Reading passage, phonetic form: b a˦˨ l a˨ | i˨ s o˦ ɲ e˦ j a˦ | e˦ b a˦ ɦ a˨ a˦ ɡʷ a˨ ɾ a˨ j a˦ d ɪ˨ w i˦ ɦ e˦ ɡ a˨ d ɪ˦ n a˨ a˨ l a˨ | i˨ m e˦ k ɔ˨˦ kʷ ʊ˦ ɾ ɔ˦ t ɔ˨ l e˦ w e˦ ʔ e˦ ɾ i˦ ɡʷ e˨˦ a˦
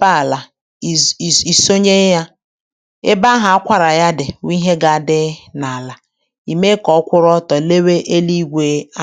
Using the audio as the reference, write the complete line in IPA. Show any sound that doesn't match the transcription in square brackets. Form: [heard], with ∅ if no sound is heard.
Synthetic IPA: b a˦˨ l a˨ | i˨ s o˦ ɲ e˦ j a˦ | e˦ b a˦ ɦ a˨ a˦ [kʷ] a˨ ɾ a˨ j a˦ d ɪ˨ w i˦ ɦ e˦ ɡ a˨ d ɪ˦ n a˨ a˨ l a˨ | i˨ m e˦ k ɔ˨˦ kʷ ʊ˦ ɾ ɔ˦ t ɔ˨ l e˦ w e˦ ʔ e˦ [l] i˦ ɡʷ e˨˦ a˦